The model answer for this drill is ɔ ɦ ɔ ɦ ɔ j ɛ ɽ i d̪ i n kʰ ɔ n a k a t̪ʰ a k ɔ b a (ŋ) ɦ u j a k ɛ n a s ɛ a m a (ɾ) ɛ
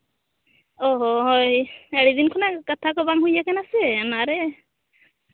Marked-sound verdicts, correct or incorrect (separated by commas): incorrect, correct